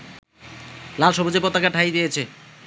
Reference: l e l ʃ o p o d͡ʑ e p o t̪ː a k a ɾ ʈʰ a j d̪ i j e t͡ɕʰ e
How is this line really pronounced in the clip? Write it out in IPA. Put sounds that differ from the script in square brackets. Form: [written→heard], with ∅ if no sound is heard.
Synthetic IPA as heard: l [e→a] l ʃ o [p→b] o d͡ʑ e p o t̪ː a k a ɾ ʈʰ a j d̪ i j e t͡ɕʰ e